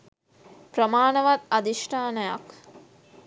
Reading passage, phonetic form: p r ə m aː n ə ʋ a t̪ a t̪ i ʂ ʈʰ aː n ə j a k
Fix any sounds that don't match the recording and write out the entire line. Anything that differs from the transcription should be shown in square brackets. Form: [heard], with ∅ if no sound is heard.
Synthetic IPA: p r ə m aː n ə ʋ a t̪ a [d̪] i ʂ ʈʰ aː n ə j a k